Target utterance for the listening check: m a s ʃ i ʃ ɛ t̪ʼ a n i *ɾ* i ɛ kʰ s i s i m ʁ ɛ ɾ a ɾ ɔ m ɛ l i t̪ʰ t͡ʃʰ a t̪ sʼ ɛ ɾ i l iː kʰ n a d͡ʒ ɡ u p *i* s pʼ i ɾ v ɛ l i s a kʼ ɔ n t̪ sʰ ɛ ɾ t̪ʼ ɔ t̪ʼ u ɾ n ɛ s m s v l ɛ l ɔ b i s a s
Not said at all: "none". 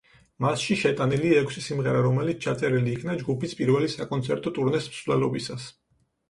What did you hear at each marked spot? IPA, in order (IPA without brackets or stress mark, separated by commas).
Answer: l, i